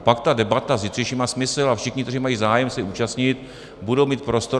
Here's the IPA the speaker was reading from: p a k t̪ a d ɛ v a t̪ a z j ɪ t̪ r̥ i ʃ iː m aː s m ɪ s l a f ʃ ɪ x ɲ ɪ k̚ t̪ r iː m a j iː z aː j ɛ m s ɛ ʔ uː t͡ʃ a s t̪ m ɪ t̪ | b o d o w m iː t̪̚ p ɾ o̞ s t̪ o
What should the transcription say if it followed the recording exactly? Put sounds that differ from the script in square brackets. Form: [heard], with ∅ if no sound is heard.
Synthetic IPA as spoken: p a k t̪ a d ɛ [b] a t̪ a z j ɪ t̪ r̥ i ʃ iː m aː s m ɪ s l a f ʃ ɪ x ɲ ɪ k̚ t̪ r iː m a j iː z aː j ɛ m s ɛ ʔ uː t͡ʃ a s t̪ [ɲ] ɪ t̪ | b [u] d o w m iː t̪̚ p ɾ o̞ s t̪ o